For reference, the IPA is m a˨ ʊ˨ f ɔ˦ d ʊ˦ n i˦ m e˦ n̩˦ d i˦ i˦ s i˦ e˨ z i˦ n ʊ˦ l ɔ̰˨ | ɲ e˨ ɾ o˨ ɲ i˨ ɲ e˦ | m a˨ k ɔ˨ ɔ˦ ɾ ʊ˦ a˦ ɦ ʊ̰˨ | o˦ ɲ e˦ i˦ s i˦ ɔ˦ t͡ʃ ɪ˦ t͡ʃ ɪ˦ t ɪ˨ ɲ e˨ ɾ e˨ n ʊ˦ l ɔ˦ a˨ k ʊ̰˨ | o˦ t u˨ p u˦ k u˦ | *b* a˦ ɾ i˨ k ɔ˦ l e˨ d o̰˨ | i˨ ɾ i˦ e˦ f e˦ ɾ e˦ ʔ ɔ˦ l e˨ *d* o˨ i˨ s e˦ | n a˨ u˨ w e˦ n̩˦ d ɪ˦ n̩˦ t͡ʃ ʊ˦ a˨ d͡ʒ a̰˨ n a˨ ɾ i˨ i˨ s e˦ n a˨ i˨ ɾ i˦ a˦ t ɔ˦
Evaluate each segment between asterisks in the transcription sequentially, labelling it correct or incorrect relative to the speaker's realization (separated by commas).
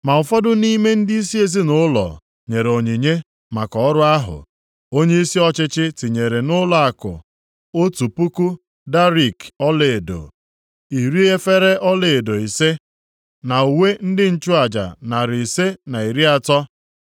incorrect, correct